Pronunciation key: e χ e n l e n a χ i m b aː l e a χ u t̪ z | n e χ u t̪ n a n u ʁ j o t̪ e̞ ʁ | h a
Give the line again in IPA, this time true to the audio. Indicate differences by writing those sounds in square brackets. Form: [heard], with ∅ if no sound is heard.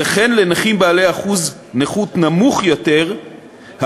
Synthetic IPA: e χ e n l e n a χ i m b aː l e a χ u [∅] z | n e χ u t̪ n a [m] u [χ] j o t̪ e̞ ʁ | h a